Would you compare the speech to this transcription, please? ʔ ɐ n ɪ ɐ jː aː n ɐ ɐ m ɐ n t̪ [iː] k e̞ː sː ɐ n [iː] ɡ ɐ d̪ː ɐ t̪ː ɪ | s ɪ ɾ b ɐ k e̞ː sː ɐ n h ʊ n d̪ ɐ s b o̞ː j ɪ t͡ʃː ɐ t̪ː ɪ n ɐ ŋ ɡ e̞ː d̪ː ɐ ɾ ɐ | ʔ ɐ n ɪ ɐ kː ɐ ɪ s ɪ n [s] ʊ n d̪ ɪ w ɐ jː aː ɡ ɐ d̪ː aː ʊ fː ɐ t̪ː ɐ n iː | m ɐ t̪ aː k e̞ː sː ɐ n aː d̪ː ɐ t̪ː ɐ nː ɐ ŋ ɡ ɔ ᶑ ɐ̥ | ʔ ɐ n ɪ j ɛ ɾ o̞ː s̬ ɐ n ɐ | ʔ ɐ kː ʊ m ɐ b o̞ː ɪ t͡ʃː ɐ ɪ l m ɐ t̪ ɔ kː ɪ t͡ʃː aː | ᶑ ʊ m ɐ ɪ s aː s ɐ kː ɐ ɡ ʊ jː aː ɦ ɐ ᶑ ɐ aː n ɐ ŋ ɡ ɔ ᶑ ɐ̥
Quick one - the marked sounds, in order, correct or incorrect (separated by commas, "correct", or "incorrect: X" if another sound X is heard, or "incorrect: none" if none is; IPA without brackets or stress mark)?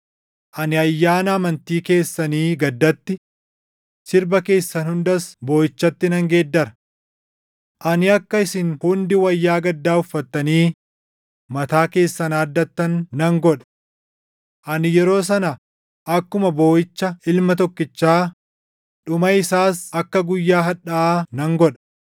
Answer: correct, correct, incorrect: h